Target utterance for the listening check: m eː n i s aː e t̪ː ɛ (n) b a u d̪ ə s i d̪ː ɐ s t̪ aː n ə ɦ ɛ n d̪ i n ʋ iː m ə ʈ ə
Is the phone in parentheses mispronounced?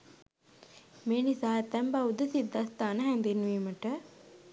yes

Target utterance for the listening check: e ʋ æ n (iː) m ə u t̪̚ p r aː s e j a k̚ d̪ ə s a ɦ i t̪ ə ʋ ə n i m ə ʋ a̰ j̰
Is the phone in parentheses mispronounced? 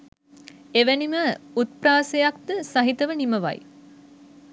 yes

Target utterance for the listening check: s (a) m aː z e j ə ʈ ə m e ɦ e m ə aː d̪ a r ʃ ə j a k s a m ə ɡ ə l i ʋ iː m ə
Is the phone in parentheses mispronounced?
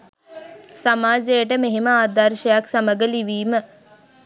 no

